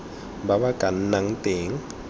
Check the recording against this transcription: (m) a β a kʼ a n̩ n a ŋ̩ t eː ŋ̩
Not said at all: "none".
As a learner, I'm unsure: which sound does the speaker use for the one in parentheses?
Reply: b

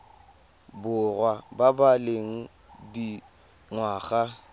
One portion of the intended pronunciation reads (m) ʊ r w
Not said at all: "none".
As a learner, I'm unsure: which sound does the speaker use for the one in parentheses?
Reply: b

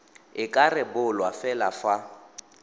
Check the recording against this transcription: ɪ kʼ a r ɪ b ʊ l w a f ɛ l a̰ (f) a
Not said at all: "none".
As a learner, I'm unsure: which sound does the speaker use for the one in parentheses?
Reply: f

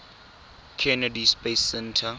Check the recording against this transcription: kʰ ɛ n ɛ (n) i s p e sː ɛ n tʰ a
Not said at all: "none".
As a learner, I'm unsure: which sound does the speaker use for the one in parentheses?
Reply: d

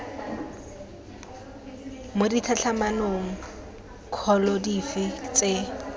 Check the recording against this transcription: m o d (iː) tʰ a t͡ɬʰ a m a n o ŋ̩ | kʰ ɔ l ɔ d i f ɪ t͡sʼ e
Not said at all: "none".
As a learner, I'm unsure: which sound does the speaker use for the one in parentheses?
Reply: i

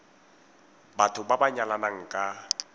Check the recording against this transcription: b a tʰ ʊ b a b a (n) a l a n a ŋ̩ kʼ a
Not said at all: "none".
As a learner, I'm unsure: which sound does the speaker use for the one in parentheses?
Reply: ɲ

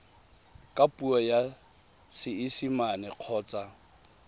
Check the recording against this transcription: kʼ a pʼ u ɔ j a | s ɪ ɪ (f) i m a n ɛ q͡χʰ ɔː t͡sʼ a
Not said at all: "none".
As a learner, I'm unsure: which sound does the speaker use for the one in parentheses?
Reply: s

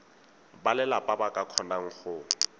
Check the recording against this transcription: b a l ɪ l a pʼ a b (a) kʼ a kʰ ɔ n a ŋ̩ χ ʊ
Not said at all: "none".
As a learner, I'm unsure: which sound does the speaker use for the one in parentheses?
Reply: a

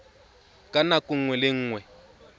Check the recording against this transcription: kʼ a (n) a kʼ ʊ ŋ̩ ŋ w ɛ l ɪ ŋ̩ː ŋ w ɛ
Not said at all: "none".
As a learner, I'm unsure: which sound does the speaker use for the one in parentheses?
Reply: n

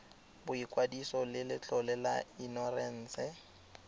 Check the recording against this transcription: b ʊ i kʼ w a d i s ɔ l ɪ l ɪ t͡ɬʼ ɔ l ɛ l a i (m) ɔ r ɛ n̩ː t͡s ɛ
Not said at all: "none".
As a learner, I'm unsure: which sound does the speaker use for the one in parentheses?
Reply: n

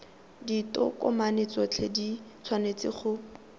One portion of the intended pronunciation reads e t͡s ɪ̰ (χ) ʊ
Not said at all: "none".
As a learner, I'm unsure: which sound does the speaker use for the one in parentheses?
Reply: χ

